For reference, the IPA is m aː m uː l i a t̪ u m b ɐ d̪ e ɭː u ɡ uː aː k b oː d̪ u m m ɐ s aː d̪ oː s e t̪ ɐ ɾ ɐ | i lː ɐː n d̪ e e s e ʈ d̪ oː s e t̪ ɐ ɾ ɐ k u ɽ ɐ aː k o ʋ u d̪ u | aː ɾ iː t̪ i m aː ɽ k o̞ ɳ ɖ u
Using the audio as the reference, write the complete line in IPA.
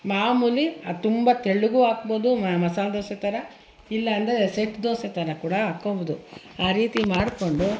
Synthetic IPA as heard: m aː m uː l i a t̪ u m b ɐ t̪ e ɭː u ɡ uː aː k b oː d̪ u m m ɐ s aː d̪ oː s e t̪ ɐ ɾ ɐ | i lː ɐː n d̪ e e s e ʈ d̪ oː s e t̪ ɐ ɾ ɐ k uː ɽ ɐ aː k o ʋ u d̪ u | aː ɾ iː t̪ i m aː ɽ k o̞ ɳ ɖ u

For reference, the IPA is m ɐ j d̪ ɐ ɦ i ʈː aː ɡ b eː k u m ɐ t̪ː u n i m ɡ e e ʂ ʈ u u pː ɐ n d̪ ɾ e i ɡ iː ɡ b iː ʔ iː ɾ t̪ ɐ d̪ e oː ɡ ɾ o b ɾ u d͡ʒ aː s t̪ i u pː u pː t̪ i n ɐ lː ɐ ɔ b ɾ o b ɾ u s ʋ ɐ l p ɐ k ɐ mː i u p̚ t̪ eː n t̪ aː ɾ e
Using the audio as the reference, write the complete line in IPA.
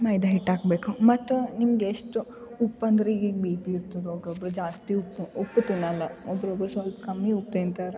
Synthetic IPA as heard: m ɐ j d̪ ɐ ɦ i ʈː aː ɡ b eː k u m ɐ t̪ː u n i m ɡ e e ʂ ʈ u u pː ɐ n d̪ ɾ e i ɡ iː ɡ b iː p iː ɾ t̪ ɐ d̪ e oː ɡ ɾ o b ɾ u d͡ʒ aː s t̪ i u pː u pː t̪ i n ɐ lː ɐ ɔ b ɾ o b ɾ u s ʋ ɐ l p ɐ k ɐ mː i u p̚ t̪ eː n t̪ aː ɾ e

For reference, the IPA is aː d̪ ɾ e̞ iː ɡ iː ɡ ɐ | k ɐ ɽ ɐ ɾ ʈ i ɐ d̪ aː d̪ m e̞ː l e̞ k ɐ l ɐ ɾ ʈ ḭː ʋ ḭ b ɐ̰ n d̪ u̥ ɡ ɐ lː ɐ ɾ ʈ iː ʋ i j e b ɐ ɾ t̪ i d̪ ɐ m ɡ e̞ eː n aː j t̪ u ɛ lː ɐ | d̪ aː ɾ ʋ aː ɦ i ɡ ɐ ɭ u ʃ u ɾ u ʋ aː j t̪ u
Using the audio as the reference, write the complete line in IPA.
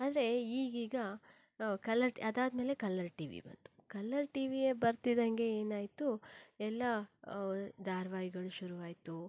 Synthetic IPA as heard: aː d̪ ɾ e̞ iː ɡ iː ɡ ɐ | k ɐ l ɐ ɾ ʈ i ɐ d̪ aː d̪ m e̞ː l e̞ k ɐ l ɐ ɾ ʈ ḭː ʋ ḭ b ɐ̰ n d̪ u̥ k ɐ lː ɐ ɾ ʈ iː ʋ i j e b ɐ ɾ t̪ i d̪ ɐ ŋ ɡ e̞ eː n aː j t̪ u ɛ lː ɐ | d̪ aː ɾ ʋ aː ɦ i ɡ ɐ ɭ u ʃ u ɾ u ʋ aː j t̪ u

